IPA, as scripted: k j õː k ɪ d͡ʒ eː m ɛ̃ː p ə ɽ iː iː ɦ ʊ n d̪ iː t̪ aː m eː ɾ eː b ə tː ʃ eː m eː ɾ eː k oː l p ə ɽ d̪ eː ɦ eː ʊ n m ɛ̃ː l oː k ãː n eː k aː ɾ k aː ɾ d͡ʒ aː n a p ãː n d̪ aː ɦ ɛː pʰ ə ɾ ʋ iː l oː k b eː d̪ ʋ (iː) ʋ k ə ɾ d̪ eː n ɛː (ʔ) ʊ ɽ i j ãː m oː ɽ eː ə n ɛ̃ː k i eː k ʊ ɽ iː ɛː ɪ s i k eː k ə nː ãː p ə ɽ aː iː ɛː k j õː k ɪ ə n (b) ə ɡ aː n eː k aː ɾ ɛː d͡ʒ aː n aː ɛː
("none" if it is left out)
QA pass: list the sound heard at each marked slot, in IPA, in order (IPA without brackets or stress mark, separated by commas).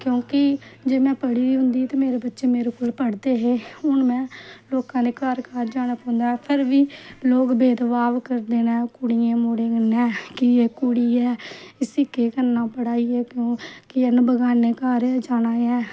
aː, k, b